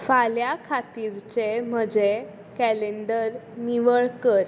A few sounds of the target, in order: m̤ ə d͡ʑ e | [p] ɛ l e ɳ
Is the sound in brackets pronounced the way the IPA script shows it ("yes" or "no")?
no